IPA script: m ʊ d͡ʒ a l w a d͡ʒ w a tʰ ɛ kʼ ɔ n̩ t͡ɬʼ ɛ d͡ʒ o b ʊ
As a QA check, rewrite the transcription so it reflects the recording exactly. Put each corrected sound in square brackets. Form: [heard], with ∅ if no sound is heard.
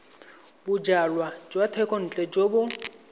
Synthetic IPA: [b] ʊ d͡ʒ a l w a d͡ʒ w a tʰ ɛ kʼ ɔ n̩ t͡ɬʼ ɛ d͡ʒ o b ʊ

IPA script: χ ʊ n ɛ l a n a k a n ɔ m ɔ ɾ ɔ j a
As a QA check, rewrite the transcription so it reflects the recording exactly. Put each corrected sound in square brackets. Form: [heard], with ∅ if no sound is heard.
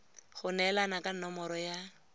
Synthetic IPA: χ ʊ n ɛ l a n a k a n ɔ m ɔ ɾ ɔ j a

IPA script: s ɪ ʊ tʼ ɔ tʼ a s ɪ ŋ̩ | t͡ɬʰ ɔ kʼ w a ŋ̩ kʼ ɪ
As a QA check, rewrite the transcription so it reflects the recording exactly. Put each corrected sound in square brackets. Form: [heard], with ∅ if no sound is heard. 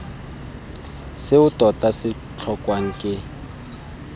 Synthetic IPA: s ɪ ʊ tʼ ɔ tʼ a s ɪ [∅] | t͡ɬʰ ɔ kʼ w a ŋ̩ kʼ ɪ

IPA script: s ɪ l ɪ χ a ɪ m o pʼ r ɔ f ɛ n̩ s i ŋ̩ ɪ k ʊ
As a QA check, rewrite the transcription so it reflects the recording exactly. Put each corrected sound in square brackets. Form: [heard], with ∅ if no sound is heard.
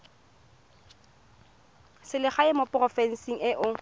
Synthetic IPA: s ɪ l ɪ χ a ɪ m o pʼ r ɔ f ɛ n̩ s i ŋ̩ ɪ [ʔ] ʊ

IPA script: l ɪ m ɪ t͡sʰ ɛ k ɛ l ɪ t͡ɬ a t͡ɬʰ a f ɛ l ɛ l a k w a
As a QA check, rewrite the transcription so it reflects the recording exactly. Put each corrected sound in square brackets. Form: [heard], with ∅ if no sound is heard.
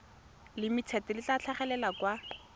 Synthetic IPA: l ɪ m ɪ t͡sʰ ɛ [t] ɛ l ɪ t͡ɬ a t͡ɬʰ a [χ] ɛ l ɛ l a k w a

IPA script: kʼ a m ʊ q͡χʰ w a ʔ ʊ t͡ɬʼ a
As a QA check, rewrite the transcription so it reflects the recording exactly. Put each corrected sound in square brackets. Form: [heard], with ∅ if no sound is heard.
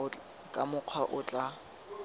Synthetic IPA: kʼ a m ʊ q͡χʰ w a ʔ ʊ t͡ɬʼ a

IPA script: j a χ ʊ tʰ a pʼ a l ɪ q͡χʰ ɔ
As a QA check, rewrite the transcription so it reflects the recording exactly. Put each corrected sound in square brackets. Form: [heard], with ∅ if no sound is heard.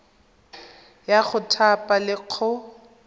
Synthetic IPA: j a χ ʊ tʰ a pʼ a l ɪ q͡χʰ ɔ

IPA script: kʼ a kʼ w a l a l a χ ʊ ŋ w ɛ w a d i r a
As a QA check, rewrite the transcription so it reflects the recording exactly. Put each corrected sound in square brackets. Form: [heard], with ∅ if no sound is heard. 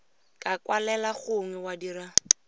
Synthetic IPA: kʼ a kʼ w a l [ɛ] l a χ ʊ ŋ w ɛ w a d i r a

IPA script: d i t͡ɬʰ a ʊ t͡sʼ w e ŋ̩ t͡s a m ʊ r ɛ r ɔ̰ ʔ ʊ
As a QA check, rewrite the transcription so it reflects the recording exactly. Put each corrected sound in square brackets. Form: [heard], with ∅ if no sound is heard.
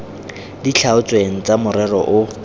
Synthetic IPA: d i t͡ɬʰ a ʊ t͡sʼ w e ŋ̩ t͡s a m ʊ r ɛ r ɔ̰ ʔ ʊ

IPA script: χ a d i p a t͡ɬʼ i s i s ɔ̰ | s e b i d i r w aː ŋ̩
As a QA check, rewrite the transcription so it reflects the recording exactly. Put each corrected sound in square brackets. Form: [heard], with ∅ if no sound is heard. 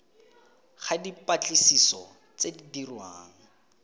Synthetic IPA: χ a d i p a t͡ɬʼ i s i s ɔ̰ | [t͡s] e [d] i d i r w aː ŋ̩

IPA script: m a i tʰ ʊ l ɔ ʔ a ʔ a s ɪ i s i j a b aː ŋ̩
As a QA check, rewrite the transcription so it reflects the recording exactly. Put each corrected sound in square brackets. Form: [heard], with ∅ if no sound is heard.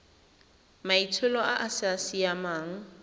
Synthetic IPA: m a i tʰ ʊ l ɔ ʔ a ʔ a s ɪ [a] s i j a [m] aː ŋ̩

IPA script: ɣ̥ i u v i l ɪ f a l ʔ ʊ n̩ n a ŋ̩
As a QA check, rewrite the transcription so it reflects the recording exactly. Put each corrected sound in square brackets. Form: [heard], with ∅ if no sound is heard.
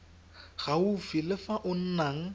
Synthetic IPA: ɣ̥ [a] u [f] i l ɪ f a [∅] ʔ ʊ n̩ n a ŋ̩

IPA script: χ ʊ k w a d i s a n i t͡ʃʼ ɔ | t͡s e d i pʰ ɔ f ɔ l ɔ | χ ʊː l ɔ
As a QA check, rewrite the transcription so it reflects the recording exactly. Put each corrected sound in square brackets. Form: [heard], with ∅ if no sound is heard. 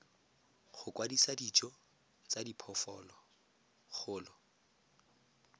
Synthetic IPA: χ ʊ k w a d i s a [d] i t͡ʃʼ ɔ | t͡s [a] d i pʰ ɔ f ɔ l ɔ | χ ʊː l ɔ

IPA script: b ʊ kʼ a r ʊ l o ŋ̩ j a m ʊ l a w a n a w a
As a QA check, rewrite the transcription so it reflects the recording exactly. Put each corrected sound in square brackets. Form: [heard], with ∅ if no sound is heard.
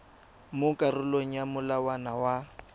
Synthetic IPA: [m] ʊ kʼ a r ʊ l o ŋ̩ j a m ʊ l a w a n a w a

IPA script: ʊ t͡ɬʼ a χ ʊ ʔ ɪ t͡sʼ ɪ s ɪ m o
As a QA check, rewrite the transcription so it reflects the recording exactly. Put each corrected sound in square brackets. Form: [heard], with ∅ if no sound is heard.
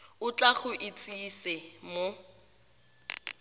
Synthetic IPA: ʊ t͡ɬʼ a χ ʊ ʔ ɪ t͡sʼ [i] s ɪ m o

